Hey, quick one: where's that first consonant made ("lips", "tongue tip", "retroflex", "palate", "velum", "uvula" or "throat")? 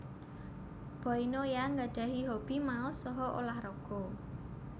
lips